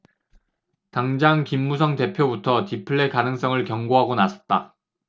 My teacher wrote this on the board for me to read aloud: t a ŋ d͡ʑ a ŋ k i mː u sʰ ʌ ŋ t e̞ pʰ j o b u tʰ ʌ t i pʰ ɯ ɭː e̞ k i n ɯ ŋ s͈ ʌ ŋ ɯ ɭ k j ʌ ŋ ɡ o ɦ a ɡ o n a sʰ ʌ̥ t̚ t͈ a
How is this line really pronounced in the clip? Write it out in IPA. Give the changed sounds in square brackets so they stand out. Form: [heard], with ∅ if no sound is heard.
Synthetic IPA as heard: t a ŋ d͡ʑ a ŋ k i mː u sʰ ʌ ŋ t e̞ pʰ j o b u tʰ ʌ t i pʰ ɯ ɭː e̞ k [a] n ɯ ŋ s͈ ʌ ŋ ɯ ɭ k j ʌ ŋ ɡ o ɦ a ɡ o n a sʰ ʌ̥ t̚ t͈ a